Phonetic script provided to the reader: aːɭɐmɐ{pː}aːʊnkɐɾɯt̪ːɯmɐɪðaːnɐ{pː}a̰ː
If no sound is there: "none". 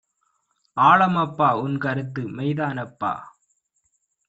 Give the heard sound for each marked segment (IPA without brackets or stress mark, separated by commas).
pː, pː